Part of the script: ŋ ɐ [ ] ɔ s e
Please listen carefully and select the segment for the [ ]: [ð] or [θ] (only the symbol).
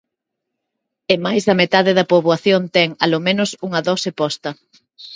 ð